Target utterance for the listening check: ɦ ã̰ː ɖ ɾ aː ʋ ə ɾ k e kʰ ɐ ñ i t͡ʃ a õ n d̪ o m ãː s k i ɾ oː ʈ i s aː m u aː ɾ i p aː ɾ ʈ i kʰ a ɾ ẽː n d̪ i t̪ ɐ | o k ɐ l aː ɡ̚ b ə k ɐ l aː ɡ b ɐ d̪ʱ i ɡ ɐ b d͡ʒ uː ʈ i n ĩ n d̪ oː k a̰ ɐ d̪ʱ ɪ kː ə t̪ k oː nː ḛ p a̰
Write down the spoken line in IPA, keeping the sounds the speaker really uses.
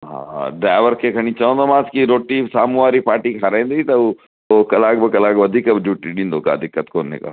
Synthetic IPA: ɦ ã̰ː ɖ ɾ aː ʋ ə ɾ k e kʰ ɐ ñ i t͡ʃ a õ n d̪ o m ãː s k i ɾ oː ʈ i s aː m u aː ɾ i p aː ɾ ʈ i kʰ a ɾ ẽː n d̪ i t̪ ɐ | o k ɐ l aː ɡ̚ b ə k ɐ l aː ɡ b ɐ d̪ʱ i k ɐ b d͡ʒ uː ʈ i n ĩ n d̪ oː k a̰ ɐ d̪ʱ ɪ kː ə t̪ k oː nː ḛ k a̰